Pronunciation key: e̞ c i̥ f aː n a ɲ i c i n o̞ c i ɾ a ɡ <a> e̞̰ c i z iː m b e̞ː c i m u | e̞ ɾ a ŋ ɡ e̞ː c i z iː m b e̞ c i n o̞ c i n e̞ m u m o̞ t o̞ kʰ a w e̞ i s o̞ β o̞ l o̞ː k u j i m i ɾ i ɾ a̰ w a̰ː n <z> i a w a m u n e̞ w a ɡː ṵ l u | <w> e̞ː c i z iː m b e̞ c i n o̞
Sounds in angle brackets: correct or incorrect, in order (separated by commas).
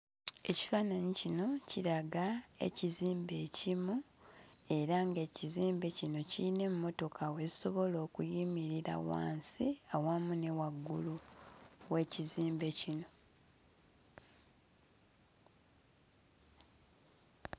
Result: correct, incorrect, correct